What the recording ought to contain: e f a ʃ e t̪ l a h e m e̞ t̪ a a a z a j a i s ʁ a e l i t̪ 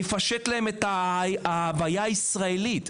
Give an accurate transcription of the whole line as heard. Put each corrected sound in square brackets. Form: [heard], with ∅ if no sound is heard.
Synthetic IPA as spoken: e f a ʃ e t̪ l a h e m e̞ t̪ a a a [v] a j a i s ʁ a e l i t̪

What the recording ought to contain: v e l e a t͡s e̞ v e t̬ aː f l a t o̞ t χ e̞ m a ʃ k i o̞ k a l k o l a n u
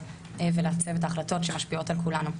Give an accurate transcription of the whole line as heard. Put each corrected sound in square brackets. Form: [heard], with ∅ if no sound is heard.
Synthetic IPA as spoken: v e l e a t͡s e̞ v e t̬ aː [χ] l a t o̞ t [ʃ] e̞ m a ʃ [p] i o̞ [t] a l k [u] l a n u

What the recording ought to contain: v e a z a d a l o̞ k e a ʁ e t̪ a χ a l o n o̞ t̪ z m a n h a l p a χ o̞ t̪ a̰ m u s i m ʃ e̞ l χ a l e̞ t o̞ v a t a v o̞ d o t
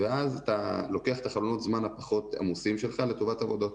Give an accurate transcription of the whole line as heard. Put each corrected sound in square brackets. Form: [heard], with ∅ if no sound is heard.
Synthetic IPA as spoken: v e a z a [t] a l o̞ k e a [χ] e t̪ a χ a l o n o̞ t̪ z m a n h a [∅] p a χ o̞ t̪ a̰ m u s i m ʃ e̞ l χ a l e̞ t o̞ v a t a v o̞ d o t

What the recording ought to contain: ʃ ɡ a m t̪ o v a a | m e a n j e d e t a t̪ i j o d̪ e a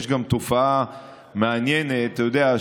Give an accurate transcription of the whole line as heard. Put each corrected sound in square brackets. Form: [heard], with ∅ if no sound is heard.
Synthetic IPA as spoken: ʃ ɡ a m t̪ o [f] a a | m e a n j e [n] e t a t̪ [a] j o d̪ e a

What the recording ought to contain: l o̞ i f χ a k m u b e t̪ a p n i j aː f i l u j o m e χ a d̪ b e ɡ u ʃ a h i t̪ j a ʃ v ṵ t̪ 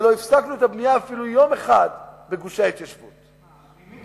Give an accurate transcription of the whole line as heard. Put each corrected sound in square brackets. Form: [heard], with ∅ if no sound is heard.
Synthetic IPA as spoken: l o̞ i f [s] a k [n] u [∅] e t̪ a [b] n i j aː f i l u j o m e χ a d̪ b e ɡ u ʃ a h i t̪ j a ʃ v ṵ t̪

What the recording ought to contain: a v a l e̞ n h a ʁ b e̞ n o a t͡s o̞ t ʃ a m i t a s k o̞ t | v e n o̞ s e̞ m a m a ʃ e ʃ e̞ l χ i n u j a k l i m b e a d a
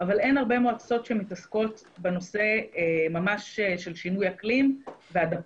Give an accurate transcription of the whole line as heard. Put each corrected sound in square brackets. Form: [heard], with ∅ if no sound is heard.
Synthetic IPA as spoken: a v a l e̞ n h a ʁ b e̞ [m] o a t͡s o̞ t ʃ [e] m i t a s k o̞ t | [b] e n o̞ s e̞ m a m a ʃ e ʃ e̞ l [ʃ] i n u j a k l i m [v] e a d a

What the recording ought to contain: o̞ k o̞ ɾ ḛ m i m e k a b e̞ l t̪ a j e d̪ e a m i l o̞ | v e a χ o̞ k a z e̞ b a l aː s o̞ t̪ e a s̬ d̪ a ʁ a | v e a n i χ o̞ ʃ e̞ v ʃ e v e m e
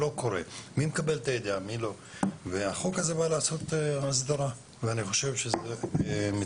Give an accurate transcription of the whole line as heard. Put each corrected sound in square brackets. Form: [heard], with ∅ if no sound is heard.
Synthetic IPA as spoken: o̞ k o̞ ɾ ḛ m i m e k a b e̞ l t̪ a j e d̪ e a m i l o̞ | v e a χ o̞ k a z e̞ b a l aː s o̞ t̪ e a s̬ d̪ a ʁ a | v e a n i χ o̞ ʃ e̞ v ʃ e [z] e m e

